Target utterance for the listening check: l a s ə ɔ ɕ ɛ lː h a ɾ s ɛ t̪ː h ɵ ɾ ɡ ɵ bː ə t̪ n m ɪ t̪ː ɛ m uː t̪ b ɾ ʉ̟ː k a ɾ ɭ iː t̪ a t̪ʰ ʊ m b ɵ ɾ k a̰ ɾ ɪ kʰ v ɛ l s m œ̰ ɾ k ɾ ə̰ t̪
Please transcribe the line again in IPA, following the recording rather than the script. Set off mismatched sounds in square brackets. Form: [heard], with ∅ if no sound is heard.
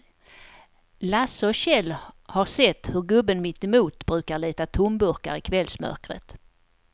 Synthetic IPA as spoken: l a s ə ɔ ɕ ɛ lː h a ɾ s ɛ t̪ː h ɵ ɾ ɡ ɵ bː ə [∅] n m ɪ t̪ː ɛ m uː t̪ b ɾ ʉ̟ː k a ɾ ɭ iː t̪ a t̪ʰ ʊ m b ɵ ɾ k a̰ ɾ ɪ kʰ v ɛ l s m œ̰ ɾ k ɾ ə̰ t̪